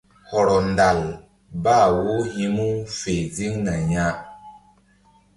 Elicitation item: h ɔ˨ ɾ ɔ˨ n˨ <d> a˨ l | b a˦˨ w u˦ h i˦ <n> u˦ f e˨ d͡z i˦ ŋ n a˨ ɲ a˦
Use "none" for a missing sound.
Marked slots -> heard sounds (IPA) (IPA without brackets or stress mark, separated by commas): d, m